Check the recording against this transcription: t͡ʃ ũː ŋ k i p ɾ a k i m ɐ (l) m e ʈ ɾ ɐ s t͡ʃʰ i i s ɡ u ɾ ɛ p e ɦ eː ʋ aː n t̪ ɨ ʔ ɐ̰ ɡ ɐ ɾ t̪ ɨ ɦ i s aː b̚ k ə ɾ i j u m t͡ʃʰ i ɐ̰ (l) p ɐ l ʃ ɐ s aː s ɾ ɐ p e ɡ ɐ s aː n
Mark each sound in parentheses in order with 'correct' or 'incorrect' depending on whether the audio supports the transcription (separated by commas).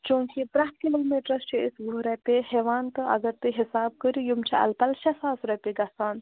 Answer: correct, correct